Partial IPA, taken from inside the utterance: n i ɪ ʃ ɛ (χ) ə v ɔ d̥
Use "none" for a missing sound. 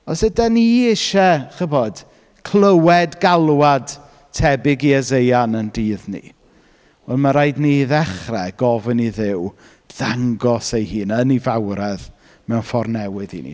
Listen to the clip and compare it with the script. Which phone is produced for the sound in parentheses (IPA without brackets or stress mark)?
χ